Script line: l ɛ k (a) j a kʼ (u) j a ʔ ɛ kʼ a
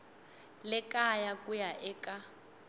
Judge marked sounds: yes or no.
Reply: yes, yes

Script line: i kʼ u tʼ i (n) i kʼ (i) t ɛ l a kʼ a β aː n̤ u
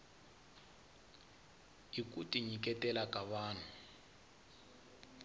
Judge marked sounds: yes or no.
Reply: no, no

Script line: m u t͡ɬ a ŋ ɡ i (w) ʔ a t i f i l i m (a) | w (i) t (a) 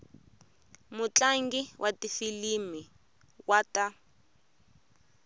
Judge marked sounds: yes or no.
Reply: yes, no, no, yes

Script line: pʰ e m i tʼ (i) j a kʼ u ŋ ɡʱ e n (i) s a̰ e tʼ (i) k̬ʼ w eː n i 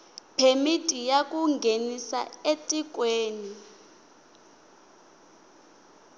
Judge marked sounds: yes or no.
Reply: yes, yes, yes

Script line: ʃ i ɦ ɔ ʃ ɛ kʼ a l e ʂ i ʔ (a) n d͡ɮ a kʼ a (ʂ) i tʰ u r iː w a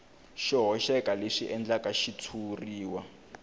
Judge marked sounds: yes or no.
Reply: no, no

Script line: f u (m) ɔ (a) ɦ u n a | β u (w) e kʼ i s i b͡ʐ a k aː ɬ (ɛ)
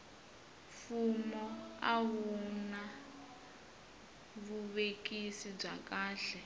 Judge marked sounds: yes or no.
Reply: yes, yes, no, yes

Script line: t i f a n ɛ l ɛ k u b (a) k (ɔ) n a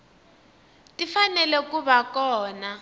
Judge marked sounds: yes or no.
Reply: yes, no

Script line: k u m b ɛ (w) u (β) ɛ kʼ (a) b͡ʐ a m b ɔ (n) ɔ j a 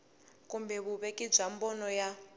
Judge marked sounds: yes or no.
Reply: no, yes, no, yes

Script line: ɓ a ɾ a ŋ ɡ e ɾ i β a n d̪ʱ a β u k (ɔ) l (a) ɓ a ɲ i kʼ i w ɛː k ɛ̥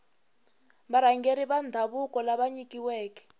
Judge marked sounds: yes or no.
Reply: yes, yes

